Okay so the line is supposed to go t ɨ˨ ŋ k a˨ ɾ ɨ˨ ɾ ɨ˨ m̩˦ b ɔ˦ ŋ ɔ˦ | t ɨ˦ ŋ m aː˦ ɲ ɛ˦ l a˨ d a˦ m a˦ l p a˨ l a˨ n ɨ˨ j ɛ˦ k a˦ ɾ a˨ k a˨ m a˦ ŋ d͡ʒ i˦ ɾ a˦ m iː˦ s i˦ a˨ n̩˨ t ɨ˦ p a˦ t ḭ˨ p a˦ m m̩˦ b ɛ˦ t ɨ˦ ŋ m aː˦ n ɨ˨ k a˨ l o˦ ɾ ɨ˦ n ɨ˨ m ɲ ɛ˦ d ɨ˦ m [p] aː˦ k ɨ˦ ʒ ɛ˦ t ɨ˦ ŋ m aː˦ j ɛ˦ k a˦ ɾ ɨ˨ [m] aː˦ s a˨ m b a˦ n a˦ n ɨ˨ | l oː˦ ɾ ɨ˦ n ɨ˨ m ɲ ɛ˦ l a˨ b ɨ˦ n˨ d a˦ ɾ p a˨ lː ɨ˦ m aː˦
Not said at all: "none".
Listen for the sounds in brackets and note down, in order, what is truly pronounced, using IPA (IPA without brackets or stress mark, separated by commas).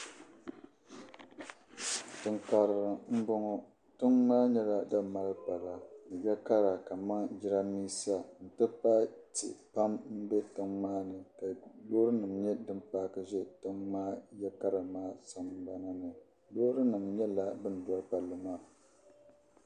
p, m